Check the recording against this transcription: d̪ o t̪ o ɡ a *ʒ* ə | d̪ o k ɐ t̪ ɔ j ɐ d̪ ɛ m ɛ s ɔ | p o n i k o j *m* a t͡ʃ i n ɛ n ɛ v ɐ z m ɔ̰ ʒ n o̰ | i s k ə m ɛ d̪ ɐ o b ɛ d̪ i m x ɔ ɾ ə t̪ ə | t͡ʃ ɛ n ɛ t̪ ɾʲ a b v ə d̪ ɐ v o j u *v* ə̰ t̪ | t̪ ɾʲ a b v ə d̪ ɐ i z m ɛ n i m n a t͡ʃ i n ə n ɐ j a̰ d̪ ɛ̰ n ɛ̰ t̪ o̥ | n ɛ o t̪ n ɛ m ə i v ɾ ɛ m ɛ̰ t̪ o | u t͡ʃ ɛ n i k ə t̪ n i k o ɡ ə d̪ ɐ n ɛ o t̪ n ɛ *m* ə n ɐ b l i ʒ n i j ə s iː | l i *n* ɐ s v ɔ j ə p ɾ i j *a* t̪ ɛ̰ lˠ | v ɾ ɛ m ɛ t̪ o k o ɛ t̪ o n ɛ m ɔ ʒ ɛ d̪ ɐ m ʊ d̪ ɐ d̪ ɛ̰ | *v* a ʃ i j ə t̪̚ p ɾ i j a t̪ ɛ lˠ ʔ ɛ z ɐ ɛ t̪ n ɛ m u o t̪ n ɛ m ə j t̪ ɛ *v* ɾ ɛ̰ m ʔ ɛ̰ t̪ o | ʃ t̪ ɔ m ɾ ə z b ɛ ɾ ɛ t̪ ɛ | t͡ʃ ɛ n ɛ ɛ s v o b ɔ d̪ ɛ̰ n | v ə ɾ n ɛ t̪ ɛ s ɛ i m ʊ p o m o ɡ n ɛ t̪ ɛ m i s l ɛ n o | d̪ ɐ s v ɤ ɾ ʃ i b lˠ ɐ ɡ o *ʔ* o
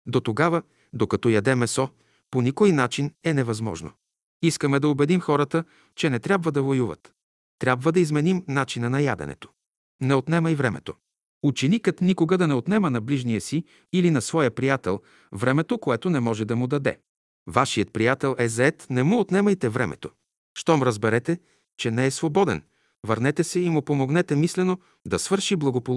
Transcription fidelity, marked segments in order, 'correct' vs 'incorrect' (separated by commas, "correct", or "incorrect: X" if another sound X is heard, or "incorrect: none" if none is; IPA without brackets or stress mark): incorrect: v, incorrect: n, correct, correct, correct, correct, correct, correct, incorrect: p